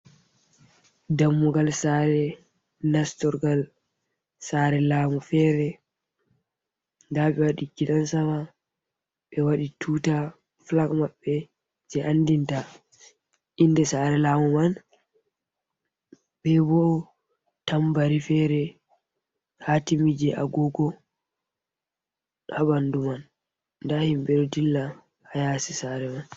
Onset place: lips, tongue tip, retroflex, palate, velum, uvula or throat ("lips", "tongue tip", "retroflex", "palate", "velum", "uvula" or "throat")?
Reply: tongue tip